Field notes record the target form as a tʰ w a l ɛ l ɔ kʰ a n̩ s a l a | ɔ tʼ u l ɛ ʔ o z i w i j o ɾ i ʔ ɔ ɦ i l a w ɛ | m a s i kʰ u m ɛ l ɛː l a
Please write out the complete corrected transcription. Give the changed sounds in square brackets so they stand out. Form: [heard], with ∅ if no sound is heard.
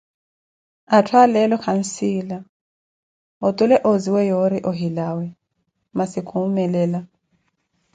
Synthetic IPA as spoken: a tʰ w a l ɛ l ɔ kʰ a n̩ s [i] l a | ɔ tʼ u l ɛ ʔ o z i w [ɛ] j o ɾ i ʔ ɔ ɦ i l a w ɛ | m a s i kʰ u m ɛ l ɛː l a